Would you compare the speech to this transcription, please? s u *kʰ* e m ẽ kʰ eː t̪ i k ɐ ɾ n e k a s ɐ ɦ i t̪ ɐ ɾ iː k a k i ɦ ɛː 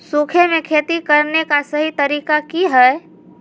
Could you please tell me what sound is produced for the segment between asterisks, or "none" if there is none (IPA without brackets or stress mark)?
kʰ